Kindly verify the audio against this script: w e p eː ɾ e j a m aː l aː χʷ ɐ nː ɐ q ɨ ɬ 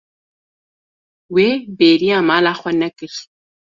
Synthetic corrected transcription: w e b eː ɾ i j a m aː l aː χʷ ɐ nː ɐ k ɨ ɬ